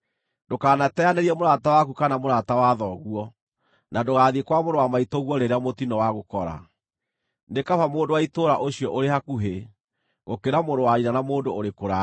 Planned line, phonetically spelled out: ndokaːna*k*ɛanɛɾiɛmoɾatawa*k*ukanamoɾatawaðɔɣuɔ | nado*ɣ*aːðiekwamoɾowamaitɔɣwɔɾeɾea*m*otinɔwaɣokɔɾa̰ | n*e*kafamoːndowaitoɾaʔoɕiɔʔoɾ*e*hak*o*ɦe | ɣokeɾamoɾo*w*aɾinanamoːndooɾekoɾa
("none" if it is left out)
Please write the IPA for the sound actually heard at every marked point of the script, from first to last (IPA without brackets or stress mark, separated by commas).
t, k, ɣ, m, e, e, u, w